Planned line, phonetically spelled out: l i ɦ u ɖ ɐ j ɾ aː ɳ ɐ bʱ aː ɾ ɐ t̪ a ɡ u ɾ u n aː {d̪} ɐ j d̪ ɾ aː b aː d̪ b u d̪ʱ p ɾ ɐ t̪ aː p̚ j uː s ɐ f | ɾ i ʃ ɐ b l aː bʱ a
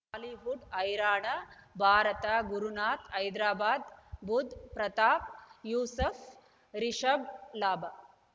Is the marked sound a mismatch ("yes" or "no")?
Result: yes